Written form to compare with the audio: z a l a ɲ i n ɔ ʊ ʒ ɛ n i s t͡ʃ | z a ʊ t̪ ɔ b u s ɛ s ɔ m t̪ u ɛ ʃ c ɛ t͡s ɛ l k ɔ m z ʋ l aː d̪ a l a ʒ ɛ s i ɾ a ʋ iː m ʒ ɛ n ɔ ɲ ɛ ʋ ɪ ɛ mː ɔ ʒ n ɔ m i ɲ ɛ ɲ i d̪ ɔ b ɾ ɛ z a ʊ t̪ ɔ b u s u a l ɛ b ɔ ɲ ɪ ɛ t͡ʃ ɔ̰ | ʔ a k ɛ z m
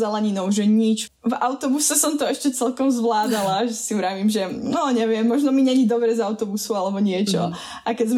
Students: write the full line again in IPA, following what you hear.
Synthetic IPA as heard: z a l a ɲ i n ɔ ʊ ʒ ɛ ɲ i t͡ʃ | v a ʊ t̪ ɔ b u s ɛ s ɔ m t̪ ɔ ɛ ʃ c ɛ t͡s ɛ l k ɔ m z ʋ l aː d̪ a l a ʒ ɛ s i ɾ a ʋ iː m ʒ ɛ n ɔ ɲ ɛ ʋ ɪ ɛ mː ɔ ʒ n ɔ m i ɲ ɛ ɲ i d̪ ɔ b ɾ ɛ z a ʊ t̪ ɔ b u s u a l ɛ b ɔ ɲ ɪ ɛ t͡ʃ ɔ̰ | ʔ a k ɛ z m